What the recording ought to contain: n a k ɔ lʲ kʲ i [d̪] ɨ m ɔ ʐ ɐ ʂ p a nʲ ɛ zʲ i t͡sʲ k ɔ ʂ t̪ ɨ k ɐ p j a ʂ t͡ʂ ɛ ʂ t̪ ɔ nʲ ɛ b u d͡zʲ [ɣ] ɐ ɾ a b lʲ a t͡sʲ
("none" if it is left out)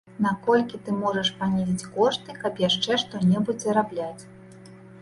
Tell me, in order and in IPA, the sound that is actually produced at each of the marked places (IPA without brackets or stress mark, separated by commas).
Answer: t̪, z